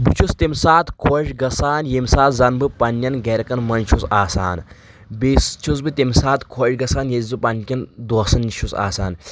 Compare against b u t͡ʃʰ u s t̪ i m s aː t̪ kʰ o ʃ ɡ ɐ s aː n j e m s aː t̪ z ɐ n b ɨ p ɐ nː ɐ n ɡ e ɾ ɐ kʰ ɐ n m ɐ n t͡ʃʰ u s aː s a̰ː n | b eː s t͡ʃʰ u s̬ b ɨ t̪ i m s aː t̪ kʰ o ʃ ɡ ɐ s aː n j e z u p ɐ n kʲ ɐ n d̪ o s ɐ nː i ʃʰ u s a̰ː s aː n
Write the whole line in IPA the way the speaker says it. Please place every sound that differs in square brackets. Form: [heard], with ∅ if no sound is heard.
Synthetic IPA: b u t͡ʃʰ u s t̪ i m s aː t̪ kʰ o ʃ ɡ ɐ s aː n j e m s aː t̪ z ɐ n b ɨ p ɐ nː ɐ n ɡ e ɾ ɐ [k] ɐ n m ɐ n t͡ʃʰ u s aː s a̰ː n | b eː s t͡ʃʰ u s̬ b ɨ t̪ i m s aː t̪ kʰ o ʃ ɡ ɐ s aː n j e z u p ɐ n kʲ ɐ n d̪ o s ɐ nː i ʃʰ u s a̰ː s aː n

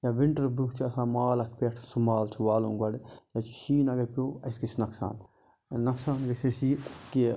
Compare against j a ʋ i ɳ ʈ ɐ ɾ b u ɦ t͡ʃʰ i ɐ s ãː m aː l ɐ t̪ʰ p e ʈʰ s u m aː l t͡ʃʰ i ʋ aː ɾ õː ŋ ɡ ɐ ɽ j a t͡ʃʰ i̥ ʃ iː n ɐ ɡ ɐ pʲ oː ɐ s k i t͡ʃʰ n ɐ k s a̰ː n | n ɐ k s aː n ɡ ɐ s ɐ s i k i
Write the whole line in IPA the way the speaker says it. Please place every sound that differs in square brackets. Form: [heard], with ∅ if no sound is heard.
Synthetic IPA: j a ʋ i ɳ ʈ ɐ ɾ b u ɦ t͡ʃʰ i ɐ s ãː m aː l ɐ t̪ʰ p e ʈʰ s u m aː l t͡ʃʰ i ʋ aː [l] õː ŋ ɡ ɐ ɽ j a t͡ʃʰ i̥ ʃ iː n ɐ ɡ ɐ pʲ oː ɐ s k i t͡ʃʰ n ɐ k s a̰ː n | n ɐ k s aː n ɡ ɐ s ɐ s i k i

